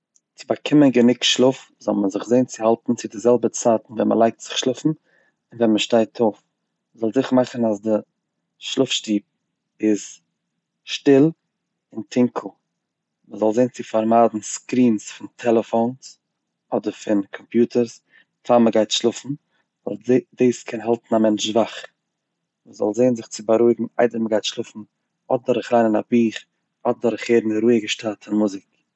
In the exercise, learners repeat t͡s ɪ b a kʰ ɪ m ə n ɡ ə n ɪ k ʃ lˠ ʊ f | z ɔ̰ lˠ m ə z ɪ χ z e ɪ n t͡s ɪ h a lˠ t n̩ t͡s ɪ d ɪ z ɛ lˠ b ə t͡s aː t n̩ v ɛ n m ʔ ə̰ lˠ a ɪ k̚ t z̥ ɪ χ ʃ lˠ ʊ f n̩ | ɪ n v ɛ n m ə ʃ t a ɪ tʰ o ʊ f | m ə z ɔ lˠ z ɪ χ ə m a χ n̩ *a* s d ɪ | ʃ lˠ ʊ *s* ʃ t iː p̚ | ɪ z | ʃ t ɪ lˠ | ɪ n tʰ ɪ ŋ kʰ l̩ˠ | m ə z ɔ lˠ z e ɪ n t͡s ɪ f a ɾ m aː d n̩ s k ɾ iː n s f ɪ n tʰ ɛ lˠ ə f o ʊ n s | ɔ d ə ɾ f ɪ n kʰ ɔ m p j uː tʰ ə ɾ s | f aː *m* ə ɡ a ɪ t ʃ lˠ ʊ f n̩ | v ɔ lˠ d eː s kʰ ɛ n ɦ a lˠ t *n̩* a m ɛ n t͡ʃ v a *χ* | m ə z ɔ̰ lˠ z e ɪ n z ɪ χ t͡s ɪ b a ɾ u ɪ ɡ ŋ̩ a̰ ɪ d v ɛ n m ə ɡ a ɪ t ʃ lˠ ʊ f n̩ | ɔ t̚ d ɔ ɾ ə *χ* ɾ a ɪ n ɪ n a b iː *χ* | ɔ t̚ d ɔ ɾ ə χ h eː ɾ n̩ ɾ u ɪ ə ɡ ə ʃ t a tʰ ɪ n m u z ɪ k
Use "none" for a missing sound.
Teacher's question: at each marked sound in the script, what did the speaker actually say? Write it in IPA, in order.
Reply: a, f, m, n̩, χ, χ, χ

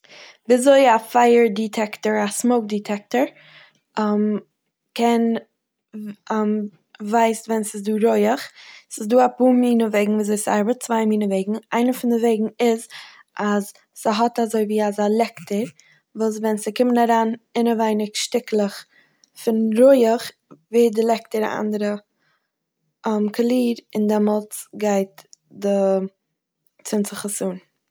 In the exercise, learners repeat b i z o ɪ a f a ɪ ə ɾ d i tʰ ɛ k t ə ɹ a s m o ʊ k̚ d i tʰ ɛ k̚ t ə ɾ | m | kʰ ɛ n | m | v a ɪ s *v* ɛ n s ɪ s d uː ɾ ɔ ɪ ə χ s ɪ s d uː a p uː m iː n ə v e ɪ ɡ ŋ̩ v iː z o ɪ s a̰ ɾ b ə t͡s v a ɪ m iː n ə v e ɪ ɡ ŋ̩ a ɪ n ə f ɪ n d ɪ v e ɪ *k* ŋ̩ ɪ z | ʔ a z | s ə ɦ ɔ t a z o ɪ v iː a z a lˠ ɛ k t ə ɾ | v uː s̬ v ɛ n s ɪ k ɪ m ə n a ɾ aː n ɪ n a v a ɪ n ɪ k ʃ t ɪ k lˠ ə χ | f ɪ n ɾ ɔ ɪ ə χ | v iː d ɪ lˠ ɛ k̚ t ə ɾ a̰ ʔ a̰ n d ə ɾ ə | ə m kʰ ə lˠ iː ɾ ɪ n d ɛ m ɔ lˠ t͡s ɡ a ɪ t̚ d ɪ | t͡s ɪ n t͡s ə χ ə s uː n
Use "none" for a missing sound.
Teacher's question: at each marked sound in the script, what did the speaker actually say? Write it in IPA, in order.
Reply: v, ɡ

